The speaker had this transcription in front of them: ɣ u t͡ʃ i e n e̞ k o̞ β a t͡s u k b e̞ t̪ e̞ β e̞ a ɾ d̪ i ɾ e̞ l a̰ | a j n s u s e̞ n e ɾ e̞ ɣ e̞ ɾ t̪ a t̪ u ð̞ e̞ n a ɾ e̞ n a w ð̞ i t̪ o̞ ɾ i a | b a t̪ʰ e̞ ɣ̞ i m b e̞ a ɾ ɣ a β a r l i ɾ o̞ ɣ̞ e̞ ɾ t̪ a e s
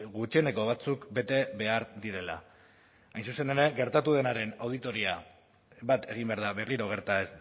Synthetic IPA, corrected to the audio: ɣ u t͡ʃ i e n e̞ k o̞ β a t͡s u k b e̞ t̪ e̞ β e̞ a ɾ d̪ i ɾ e̞ l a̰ | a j n s u s e̞ n e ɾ e̞ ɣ e̞ ɾ t̪ a t̪ u ð̞ e̞ n a ɾ e̞ n a w ð̞ i t̪ o̞ ɾ i a | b a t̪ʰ e̞ ɣ̞ i m b e̞ a ɾ ð a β e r l i ɾ o̞ ɣ̞ e̞ ɾ t̪ a e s